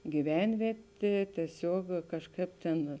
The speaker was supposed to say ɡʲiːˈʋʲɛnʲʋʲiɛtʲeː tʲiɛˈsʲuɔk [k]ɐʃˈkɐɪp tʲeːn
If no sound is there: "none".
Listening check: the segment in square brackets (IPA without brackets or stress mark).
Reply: k